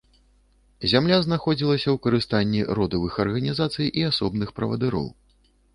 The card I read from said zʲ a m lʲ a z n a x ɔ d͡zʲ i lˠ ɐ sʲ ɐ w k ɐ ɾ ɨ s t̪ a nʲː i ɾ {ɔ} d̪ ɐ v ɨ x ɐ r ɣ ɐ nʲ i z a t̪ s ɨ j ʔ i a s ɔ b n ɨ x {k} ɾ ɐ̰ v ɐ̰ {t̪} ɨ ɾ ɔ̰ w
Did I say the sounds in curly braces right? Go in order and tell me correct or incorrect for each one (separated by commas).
correct, incorrect, incorrect